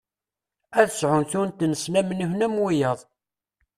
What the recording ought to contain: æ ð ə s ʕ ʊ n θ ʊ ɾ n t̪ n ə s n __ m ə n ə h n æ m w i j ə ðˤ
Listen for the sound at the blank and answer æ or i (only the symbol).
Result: æ